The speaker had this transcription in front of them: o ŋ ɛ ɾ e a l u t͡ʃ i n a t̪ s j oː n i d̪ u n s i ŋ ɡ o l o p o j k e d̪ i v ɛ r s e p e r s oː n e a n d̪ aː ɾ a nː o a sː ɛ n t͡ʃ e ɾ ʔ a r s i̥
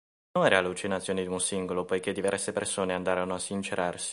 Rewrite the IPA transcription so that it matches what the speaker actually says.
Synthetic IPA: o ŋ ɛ ɾ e a l u t͡ʃ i n a t̪ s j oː n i d̪ u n s i ŋ ɡ o l o p o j k e d̪ i v ɛ r s e p e r s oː n e a n d̪ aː ɾ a n o a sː i n t͡ʃ e ɾ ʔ a r s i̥

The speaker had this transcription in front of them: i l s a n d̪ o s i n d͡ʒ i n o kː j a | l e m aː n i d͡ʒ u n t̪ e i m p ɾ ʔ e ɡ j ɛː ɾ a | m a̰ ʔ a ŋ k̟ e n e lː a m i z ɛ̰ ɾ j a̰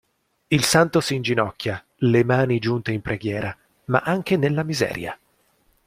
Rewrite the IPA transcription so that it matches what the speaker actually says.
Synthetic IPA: i l s a n t̪ o s i n d͡ʒ i n ɔ kː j a | l e m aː n i d͡ʒ u n t̪ e i m p ɾ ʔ e ɡ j ɛː ɾ a | m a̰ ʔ a ŋ k̟ e n e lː a m i z ɛ̰ː ɾ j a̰

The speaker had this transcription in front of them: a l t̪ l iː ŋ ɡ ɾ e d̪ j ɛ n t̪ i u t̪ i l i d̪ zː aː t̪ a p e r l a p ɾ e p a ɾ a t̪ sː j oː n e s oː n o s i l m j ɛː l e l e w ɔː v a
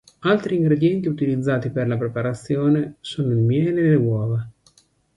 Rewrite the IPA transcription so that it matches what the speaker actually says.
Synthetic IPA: a l t̪ ɾ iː ŋ ɡ ɾ e d̪ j ɛ n t̪ i u t̪ i l i d̪ zː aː t̪ i p e r l a p ɾ e p a ɾ a t̪ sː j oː n e s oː n o i l m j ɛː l e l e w ɔː v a

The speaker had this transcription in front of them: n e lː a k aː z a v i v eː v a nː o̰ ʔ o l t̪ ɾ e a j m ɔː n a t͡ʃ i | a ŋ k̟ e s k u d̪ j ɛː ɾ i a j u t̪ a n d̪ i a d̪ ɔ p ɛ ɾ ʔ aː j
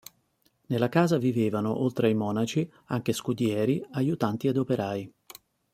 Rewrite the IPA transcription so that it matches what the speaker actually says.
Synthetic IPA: n e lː a k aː z a v i v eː v a n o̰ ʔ o l t̪ ɾ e a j m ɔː n a t͡ʃ i | a ŋ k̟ e s k u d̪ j ɛː ɾ i a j u t̪ a n t̪ i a d̪ o p e ɾ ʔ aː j

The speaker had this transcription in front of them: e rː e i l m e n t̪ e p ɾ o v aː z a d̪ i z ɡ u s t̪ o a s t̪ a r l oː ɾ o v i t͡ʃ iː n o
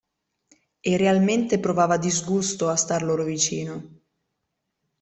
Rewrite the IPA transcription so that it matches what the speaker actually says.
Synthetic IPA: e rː e a l m e n t̪ e p ɾ o v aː v a d̪ i z ɡ u s t̪ o a s t̪ a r l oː ɾ o v i t͡ʃ iː n o

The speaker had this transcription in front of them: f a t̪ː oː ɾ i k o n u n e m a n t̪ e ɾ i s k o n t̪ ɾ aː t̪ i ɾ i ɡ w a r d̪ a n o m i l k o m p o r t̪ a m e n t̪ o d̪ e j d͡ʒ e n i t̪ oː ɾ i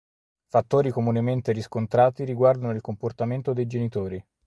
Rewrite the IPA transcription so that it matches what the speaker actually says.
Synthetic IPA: f a t̪ː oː ɾ i k o m u n e m e n t̪ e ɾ i s k o n t̪ ɾ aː t̪ i ɾ i ɡ w a r d̪ a n o i l k o m p o r t̪ a m e n t̪ o d̪ e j d͡ʒ e n i t̪ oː ɾ i

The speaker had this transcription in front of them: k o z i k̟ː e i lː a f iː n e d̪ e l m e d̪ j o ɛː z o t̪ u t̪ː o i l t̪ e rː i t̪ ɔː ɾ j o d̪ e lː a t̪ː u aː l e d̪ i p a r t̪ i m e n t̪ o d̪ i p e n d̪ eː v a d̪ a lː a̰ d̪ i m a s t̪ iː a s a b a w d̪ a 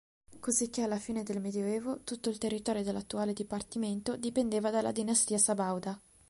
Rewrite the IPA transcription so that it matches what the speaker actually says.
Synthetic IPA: k o z i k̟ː e a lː a f iː n e d̪ e l m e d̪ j o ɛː v o t̪ u t̪ː o i l t̪ e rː i t̪ ɔː ɾ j o d̪ e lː a t̪ː u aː l e d̪ i p a r t̪ i m e n t̪ o d̪ i p e n d̪ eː v a d̪ a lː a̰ d̪ i n a s t̪ iː a s a b a w d̪ a

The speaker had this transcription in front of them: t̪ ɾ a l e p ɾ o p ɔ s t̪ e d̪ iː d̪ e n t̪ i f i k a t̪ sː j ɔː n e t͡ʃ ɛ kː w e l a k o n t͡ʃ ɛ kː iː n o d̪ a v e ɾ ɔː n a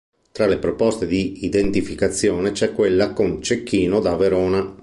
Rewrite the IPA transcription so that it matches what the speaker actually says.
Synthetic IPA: t̪ ɾ a l e p ɾ o p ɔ s t̪ e d̪ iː d̪ e n t̪ i f i k a t̪ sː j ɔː n e t͡ʃ ɛ kː w e lː a k o n t͡ʃ e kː iː n o d̪ a v e ɾ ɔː n a

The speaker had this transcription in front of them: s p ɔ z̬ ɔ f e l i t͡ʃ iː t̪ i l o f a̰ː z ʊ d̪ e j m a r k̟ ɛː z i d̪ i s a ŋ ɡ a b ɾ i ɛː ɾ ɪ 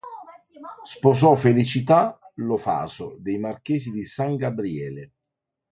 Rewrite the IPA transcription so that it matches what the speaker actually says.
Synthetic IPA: s p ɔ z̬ ɔ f e l i t͡ʃ i t̪ a l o f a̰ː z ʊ d̪ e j m a r k̟ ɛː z i d̪ i s a ŋ ɡ a b ɾ i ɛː l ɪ

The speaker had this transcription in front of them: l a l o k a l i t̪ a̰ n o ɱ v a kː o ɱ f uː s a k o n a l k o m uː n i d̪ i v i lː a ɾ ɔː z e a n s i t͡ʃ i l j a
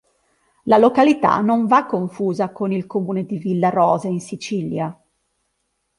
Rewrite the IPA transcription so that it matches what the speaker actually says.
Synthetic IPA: l a l o k a l i t̪ a̰ n o ɱ v a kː o ɱ f uː z a k o n i l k o m uː n e d̪ i v i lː a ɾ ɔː z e i n s i t͡ʃ i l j a

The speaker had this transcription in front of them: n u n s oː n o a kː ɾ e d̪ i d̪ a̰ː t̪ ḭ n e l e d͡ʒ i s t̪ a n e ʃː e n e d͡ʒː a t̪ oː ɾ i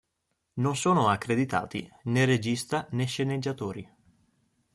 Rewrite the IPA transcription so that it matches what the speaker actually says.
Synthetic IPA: n o n s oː n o a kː ɾ e d̪ i t̪ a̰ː t̪ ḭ n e r e d͡ʒ i s t̪ a n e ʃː e n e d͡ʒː a t̪ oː ɾ i

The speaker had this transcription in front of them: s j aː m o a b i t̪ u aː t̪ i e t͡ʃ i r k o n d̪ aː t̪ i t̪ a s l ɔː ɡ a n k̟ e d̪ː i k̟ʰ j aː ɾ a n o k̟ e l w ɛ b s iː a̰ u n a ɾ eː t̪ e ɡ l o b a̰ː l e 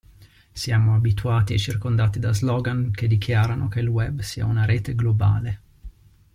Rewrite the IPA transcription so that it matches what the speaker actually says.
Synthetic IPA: s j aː m o a b i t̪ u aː t̪ i e t͡ʃ i r k o n d̪ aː t̪ i d̪ a z l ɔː ɡ a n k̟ e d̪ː i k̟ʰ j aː ɾ a n o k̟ e l w ɛ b s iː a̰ u n a ɾ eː t̪ e ɡ l o b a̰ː l e

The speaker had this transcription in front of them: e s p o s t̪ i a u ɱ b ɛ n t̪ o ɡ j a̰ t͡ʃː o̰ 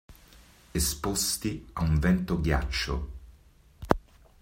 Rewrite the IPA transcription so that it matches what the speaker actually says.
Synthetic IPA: e s p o s t̪ i a u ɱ v ɛ n t̪ o ɡ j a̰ t͡ʃː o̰

